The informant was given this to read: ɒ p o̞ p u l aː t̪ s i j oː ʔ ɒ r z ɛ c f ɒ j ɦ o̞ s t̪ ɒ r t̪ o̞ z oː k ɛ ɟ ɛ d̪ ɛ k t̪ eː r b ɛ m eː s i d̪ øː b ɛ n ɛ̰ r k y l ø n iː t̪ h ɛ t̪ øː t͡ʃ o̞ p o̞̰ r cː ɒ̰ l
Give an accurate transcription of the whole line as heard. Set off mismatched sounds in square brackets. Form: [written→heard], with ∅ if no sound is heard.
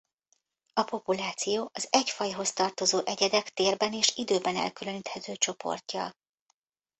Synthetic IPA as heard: ɒ p o̞ p u l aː t̪ s i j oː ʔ ɒ [r→∅] z ɛ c f ɒ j ɦ o̞ s t̪ ɒ r t̪ o̞ z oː [k→ʔ] ɛ ɟ ɛ d̪ ɛ k t̪ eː r b ɛ [m→n] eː [s→ʃ] i d̪ øː b ɛ n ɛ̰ [r→l] k y l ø n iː t̪ h ɛ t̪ øː t͡ʃ o̞ p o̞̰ r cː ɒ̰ l